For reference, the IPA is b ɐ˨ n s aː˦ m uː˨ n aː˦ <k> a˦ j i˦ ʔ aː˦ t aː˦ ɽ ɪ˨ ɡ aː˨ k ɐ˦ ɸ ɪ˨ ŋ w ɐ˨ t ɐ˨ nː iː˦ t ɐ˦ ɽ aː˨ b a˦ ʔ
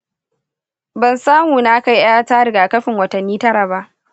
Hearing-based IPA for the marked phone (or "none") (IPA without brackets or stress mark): k